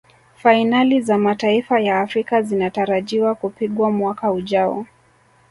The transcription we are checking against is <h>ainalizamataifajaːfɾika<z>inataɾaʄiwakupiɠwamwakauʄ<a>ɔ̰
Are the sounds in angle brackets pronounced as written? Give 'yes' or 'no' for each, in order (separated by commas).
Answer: no, yes, yes